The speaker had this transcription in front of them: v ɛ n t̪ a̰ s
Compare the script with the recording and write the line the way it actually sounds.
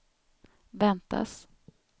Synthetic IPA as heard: v ɛ n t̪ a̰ s